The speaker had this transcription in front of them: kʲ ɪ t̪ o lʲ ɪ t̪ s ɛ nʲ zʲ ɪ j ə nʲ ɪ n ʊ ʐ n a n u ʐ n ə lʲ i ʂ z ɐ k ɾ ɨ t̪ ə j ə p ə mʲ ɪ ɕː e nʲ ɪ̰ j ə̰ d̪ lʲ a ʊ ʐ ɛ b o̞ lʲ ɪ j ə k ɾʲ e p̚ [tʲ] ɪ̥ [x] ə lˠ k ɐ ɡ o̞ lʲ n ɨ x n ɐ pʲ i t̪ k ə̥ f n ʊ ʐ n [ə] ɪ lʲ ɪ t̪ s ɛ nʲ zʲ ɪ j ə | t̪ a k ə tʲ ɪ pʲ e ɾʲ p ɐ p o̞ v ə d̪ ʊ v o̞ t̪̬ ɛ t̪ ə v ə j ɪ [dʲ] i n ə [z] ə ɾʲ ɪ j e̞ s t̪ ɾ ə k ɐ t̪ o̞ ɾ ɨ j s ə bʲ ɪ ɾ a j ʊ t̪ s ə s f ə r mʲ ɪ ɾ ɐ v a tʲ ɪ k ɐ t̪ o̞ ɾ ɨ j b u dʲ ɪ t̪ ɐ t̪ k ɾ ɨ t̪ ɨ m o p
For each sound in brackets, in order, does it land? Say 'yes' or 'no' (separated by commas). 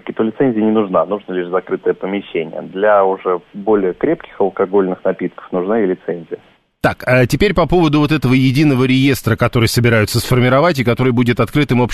no, yes, no, yes, no